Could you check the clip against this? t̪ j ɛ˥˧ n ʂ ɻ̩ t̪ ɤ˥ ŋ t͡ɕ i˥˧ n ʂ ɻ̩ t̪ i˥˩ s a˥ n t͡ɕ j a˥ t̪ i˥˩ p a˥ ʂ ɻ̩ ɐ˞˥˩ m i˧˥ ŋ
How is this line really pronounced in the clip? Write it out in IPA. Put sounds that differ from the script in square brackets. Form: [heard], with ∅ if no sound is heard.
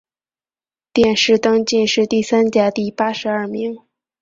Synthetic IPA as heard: t̪ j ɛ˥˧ n ʂ ɻ̩ t̪ ɤ˥ ŋ t͡ɕ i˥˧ n ʂ ɻ̩ t̪ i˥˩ s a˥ n t͡ɕ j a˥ t̪ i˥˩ p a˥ ʂ ɻ̩ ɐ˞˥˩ m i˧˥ ŋ